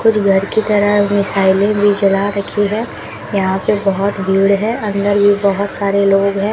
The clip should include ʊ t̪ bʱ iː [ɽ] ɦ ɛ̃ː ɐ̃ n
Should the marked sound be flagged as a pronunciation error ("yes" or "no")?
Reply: no